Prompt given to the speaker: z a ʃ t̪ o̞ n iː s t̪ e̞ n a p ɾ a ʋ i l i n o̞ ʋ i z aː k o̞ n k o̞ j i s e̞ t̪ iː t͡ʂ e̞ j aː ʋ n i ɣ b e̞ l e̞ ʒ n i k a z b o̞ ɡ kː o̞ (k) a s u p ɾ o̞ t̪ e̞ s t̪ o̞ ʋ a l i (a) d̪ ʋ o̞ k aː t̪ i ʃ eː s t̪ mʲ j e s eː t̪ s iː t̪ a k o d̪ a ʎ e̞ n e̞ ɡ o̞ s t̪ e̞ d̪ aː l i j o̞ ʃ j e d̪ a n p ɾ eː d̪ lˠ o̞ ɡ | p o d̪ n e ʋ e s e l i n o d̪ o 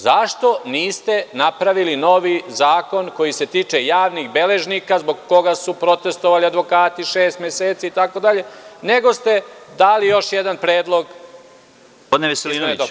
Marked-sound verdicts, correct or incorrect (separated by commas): incorrect, correct